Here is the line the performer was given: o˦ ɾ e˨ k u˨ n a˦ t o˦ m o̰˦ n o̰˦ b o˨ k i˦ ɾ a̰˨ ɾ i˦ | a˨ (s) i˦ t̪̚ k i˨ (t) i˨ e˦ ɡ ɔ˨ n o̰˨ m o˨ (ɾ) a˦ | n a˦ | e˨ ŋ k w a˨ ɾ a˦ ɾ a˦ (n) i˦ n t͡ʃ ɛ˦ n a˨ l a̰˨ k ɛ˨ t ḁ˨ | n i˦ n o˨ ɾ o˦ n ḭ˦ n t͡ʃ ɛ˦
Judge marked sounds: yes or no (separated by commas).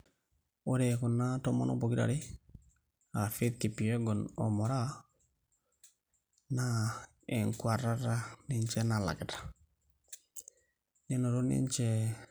no, no, yes, yes